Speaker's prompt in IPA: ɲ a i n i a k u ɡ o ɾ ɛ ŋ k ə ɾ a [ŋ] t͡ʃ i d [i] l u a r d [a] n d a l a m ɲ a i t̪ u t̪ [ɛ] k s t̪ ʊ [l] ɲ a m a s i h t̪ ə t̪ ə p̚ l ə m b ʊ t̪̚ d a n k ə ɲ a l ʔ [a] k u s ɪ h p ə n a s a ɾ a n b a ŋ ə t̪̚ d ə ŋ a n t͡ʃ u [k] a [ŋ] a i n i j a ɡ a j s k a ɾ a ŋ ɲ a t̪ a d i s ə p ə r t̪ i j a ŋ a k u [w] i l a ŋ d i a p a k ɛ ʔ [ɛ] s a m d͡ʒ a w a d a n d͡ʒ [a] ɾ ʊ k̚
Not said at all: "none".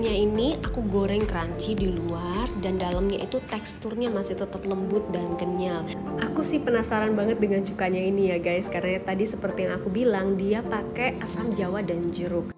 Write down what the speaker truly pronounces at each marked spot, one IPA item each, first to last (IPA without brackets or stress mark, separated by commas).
ɲ, i, a, ɛ, r, a, k, ɲ, b, a, ə